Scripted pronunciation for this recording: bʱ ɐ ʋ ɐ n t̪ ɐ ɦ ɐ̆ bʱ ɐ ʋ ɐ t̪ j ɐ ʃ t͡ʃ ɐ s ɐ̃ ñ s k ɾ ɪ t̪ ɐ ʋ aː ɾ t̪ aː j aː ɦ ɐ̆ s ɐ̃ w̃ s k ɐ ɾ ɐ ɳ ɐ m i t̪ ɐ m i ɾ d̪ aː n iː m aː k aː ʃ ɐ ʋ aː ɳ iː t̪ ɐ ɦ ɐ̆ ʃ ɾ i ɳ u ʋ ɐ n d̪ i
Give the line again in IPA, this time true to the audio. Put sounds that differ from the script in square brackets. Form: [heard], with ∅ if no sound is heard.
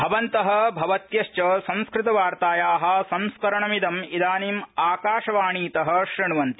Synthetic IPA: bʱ ɐ ʋ ɐ n t̪ ɐ ɦ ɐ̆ bʱ ɐ ʋ ɐ t̪ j ɐ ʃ t͡ʃ ɐ s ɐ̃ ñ s k ɾ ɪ t̪ ɐ ʋ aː ɾ t̪ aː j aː ɦ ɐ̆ s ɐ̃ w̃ s k ɐ ɾ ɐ ɳ ɐ m i [d̪] ɐ m i [∅] d̪ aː n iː m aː k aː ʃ ɐ ʋ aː ɳ iː t̪ ɐ ɦ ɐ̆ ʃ ɾ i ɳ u ʋ ɐ n [t̪] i

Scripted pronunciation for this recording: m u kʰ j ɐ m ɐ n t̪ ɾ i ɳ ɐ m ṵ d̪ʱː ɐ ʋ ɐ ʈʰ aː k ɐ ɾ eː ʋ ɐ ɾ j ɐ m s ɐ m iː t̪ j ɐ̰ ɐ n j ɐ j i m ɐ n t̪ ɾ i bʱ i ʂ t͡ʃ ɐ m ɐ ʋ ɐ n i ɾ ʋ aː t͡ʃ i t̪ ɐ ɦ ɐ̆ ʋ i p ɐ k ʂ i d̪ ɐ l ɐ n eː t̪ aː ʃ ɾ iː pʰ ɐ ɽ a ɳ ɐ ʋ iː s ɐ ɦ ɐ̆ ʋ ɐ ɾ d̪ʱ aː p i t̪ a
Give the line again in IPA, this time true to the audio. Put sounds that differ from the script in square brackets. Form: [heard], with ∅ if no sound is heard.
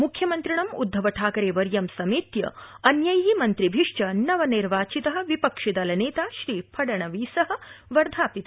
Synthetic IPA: m u kʰ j ɐ m ɐ n t̪ ɾ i ɳ ɐ m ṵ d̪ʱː ɐ ʋ ɐ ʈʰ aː k ɐ ɾ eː ʋ ɐ ɾ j ɐ m s ɐ m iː t̪ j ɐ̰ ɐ n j ɐ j i m ɐ n t̪ ɾ i bʱ i ʂ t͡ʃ ɐ [n] ɐ ʋ ɐ n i ɾ ʋ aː t͡ʃ i t̪ ɐ ɦ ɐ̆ ʋ i p ɐ k ʂ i d̪ ɐ l ɐ n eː t̪ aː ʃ ɾ iː pʰ ɐ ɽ [ɐ] ɳ ɐ ʋ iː s ɐ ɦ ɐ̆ ʋ ɐ ɾ d̪ʱ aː p i t̪ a

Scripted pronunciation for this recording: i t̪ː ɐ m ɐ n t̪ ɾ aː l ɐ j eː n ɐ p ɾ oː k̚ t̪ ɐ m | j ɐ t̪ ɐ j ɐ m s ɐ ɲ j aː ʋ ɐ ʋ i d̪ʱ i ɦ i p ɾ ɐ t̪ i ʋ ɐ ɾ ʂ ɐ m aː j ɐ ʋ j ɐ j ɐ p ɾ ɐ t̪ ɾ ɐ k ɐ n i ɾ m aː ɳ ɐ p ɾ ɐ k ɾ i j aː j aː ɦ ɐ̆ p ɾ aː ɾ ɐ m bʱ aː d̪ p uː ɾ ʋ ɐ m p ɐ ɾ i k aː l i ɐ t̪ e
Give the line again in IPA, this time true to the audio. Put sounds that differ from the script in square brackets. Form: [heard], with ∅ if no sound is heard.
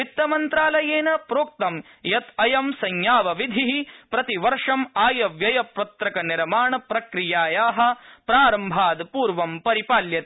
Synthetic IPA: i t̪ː ɐ m ɐ n t̪ ɾ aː l ɐ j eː n ɐ p ɾ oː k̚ t̪ ɐ m | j ɐ t̪ ɐ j ɐ m s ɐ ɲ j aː ʋ ɐ ʋ i d̪ʱ i ɦ i p ɾ ɐ t̪ i ʋ ɐ ɾ ʂ ɐ m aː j ɐ ʋ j ɐ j ɐ p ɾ ɐ t̪ ɾ ɐ k ɐ n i ɾ m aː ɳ ɐ p ɾ ɐ k ɾ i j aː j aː ɦ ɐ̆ p ɾ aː ɾ ɐ m bʱ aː d̪ p uː ɾ ʋ ɐ m p ɐ ɾ i [p] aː l [j] ɐ t̪ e

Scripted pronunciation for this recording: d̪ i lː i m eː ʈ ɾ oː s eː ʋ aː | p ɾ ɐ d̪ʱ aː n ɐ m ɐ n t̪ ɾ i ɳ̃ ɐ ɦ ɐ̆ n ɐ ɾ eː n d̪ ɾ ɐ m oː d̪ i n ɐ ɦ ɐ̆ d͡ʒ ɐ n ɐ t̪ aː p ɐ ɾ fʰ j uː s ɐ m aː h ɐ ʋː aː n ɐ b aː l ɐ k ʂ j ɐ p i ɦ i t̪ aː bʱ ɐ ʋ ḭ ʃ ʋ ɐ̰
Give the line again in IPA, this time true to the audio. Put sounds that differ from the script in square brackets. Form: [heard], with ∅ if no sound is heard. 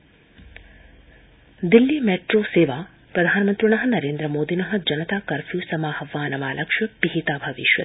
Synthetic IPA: d̪ i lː i m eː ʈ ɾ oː s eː ʋ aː | p ɾ ɐ d̪ʱ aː n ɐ m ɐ n t̪ ɾ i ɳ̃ ɐ ɦ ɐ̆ n ɐ ɾ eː n d̪ ɾ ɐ m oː d̪ i n ɐ ɦ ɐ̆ d͡ʒ ɐ n ɐ t̪ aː [k] ɐ ɾ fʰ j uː s ɐ m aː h ɐ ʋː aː n ɐ [m] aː l ɐ k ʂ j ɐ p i ɦ i t̪ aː bʱ ɐ ʋ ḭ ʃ ʋ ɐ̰

